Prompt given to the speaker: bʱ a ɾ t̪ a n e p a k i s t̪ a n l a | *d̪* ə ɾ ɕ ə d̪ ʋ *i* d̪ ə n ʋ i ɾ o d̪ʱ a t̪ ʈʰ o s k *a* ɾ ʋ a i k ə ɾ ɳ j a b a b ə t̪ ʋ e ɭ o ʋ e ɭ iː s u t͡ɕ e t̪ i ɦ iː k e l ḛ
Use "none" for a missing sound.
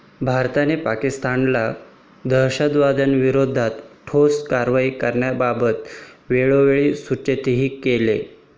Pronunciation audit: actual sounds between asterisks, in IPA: d̪, a, a

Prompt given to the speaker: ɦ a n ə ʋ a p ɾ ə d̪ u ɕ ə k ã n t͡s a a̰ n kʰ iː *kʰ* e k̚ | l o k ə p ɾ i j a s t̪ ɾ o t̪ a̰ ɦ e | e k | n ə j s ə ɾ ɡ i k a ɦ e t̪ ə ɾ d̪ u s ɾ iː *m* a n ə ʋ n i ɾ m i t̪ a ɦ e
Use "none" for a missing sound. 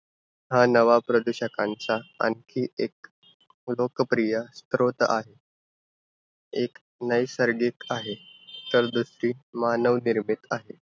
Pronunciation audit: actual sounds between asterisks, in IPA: none, m

